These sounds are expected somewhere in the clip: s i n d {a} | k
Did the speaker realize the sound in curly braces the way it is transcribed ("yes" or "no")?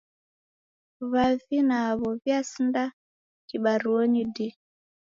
yes